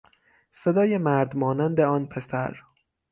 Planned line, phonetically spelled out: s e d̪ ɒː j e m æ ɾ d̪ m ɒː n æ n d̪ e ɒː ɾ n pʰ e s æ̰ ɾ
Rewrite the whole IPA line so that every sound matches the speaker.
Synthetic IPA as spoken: s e d̪ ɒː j e m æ ɾ d̪ m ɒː n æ n d̪ e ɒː n pʰ e s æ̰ ɾ